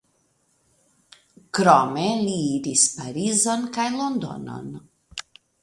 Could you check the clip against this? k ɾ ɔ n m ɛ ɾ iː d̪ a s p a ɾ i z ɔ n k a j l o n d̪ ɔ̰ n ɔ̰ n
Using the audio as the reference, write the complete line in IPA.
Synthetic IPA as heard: k ɾ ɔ m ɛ l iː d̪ i s p a ɾ i z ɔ n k a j l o n d̪ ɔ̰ n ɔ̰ n